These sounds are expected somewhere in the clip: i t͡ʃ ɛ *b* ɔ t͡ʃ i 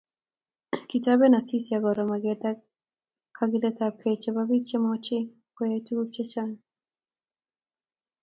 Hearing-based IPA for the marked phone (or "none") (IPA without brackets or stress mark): m